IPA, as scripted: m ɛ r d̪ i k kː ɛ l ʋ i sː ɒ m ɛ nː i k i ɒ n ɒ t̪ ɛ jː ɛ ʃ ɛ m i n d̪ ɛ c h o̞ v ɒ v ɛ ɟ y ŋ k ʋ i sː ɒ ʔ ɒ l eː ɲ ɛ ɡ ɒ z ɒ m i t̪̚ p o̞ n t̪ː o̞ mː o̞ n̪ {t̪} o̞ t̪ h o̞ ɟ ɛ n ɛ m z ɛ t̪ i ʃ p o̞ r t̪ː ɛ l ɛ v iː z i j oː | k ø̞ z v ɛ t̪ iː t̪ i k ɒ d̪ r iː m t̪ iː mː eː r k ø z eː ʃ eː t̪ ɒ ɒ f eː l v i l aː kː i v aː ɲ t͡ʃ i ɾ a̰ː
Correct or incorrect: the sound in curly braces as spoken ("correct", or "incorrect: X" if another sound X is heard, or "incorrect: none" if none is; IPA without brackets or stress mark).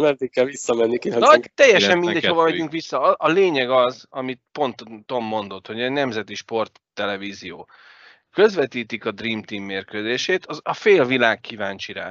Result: incorrect: d̪